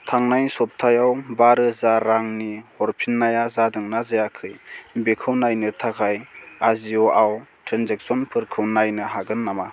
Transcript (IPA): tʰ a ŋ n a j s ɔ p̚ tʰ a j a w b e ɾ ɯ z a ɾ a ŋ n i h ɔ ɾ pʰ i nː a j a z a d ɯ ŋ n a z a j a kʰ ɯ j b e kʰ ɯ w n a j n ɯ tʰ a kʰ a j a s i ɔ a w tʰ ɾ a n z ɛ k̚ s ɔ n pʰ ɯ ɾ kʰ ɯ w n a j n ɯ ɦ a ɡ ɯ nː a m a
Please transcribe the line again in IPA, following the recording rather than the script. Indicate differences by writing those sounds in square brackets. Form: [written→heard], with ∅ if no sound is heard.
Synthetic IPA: tʰ a ŋ n a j s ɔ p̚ tʰ a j a w b [e→a] ɾ ɯ z a ɾ a ŋ n i h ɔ ɾ pʰ i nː a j a z a d ɯ ŋ n a z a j a kʰ ɯ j b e kʰ ɯ w n a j n ɯ tʰ a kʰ a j a [s→z] i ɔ a w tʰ ɾ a n z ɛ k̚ s ɔ n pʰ ɯ ɾ kʰ ɯ w n a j n ɯ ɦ a ɡ ɯ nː a m a